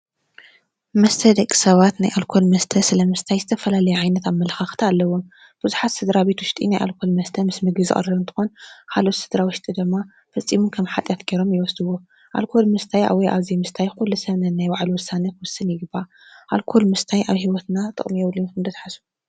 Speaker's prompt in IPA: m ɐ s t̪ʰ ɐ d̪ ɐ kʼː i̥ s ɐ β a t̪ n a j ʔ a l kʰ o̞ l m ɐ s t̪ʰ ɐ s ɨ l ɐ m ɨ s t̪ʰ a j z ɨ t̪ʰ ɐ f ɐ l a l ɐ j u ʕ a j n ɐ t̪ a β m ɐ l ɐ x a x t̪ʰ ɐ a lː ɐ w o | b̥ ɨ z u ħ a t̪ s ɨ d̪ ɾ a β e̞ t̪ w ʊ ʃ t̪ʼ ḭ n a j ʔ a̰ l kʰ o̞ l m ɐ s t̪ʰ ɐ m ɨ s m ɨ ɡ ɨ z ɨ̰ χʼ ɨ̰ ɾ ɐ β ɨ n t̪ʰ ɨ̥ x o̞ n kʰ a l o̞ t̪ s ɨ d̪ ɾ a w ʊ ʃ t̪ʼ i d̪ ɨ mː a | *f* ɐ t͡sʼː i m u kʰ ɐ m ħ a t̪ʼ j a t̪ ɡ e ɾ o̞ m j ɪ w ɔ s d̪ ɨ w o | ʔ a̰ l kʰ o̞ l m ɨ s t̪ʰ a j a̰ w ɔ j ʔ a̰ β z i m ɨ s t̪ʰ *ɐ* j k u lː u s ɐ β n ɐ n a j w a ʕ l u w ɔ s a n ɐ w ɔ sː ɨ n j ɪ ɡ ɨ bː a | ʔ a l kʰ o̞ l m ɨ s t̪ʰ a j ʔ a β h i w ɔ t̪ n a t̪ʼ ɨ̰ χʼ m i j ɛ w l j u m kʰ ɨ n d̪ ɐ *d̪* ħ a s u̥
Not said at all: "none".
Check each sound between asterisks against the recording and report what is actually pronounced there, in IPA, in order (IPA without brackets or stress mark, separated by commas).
f, a, t̪